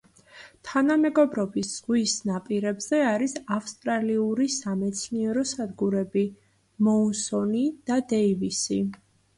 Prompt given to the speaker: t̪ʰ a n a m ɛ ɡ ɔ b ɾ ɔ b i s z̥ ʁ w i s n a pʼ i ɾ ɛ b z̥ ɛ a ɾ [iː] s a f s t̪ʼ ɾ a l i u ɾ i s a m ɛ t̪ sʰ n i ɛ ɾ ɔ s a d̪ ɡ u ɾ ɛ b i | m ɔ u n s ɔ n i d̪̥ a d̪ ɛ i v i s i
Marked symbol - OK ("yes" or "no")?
no